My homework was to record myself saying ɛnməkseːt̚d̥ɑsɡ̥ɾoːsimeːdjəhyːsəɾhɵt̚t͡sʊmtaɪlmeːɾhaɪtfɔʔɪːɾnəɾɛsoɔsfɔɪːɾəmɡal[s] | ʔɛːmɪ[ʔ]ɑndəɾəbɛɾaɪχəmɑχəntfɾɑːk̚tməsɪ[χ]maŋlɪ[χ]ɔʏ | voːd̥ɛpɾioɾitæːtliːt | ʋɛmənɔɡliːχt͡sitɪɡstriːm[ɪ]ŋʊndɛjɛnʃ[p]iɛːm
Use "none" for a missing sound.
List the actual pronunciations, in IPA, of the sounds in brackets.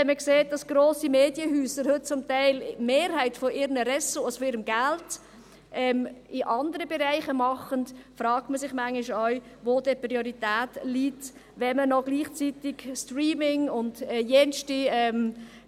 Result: t, ʔ, χ, ʃ, ɪ, t

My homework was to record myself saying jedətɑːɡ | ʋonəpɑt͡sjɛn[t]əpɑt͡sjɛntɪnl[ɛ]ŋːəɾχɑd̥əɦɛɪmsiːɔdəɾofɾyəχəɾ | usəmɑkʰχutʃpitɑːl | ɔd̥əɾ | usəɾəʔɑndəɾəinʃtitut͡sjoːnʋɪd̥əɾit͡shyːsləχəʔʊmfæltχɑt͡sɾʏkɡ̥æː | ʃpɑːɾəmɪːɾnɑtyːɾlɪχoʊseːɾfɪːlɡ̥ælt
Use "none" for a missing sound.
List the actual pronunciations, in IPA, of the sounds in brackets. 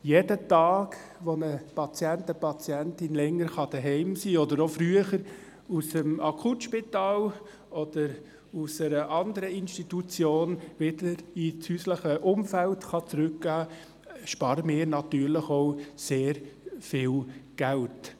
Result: t, ɛ

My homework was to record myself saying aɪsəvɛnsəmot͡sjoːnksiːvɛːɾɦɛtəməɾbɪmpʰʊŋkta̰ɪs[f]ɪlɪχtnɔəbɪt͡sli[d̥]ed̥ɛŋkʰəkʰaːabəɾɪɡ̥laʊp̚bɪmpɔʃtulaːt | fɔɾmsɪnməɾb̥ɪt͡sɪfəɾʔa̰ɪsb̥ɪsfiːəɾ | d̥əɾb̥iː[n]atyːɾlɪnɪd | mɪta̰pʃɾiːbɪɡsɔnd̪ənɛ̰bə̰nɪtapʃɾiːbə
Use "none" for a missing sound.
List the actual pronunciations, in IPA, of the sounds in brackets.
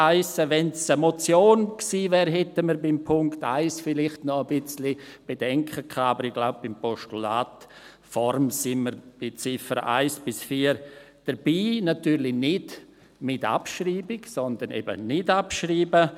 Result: f, b̥, n

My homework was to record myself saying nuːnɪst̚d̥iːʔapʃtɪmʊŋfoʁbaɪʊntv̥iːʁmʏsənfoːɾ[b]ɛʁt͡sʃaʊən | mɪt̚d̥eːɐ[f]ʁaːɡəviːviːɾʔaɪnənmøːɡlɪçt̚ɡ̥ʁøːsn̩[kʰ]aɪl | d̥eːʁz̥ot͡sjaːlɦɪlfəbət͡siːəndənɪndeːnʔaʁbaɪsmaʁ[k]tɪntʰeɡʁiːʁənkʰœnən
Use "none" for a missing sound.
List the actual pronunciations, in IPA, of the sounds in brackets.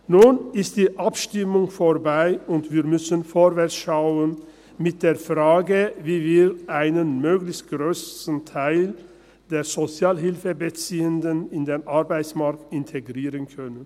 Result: v, f, tʰ, k

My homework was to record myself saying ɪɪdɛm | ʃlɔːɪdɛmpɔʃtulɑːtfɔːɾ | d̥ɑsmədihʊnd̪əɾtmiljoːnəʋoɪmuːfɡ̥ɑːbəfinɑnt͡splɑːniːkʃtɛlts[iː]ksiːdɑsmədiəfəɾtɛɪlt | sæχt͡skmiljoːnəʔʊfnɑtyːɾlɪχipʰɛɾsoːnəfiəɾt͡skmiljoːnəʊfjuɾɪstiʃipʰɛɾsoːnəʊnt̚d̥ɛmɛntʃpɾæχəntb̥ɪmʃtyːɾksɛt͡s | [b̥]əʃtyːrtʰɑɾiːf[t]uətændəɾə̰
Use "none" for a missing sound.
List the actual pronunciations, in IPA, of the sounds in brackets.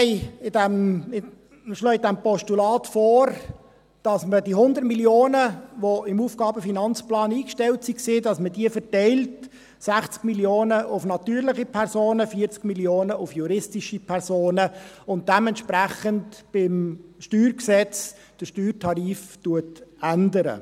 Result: i, d̥, t

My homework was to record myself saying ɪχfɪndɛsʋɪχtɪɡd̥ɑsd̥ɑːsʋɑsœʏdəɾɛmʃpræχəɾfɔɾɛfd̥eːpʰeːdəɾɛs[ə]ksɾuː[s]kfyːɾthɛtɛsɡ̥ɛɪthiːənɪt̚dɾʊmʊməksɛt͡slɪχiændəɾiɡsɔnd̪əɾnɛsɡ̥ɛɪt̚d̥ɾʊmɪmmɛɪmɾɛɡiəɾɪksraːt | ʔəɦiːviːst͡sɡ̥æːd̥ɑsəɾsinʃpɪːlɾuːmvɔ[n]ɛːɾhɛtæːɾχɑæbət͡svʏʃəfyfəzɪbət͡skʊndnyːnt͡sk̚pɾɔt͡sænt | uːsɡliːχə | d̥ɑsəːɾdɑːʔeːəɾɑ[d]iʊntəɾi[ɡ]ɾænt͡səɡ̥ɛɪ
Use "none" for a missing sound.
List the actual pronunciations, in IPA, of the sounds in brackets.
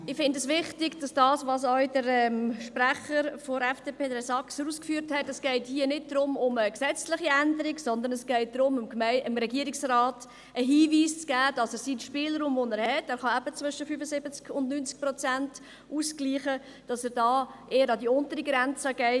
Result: ɑ, s, n, d, ɡ

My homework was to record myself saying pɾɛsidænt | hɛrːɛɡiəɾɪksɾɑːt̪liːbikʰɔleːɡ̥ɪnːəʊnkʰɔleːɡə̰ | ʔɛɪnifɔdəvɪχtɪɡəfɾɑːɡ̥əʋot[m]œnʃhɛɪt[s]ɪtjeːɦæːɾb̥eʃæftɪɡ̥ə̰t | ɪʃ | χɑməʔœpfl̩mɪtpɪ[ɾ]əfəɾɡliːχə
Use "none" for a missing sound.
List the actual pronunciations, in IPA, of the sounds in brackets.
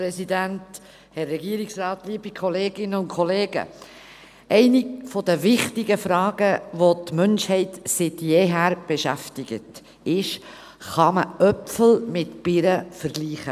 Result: m, s, ɾ

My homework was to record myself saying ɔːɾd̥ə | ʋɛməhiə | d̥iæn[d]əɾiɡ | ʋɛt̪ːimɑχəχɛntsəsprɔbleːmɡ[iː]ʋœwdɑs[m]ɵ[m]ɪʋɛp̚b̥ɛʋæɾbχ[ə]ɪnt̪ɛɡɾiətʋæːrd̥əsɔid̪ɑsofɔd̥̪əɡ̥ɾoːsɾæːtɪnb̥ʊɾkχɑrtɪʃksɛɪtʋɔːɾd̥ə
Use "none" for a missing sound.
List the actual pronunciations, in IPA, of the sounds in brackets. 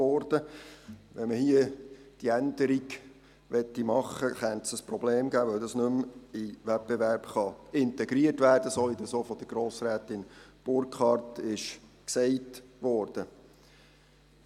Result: d, æː, n, m, ɑ

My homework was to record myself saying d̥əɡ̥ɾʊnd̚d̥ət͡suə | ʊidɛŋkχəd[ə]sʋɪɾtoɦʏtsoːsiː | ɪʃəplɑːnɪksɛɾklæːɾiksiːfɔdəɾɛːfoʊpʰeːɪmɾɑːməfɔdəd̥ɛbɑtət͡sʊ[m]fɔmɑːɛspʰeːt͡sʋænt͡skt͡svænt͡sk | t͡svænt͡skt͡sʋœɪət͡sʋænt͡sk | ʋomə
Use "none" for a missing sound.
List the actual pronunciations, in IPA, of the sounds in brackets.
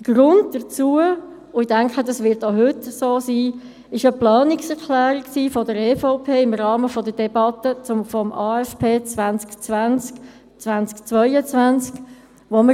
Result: ɑ, m

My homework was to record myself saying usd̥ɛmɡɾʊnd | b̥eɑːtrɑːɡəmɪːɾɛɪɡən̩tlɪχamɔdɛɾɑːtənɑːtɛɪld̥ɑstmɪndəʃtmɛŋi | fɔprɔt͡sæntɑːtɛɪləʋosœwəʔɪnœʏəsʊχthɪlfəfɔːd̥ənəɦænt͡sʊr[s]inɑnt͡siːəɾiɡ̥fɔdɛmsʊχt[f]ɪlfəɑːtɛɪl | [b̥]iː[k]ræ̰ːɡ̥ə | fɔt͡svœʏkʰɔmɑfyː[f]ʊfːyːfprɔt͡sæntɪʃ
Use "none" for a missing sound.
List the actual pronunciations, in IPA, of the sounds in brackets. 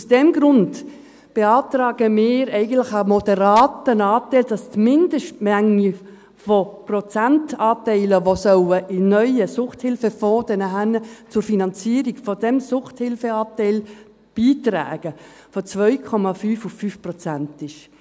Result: f, h, b̥, t, f

